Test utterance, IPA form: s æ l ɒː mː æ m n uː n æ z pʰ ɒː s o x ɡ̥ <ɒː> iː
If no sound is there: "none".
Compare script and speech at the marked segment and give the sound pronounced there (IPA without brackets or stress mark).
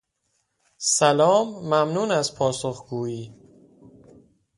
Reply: uː